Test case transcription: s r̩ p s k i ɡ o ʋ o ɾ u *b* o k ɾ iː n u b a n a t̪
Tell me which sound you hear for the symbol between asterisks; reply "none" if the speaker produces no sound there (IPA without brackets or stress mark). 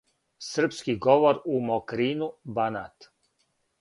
m